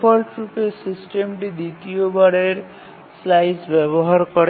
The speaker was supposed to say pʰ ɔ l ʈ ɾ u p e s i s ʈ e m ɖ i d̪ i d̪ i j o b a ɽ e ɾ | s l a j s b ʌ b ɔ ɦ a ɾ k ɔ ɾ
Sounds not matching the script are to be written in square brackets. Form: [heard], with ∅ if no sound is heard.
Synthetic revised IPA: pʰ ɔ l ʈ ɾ u p e s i s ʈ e m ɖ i d̪ i [t̪] i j o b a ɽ e ɾ | s l a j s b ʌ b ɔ ɦ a ɾ k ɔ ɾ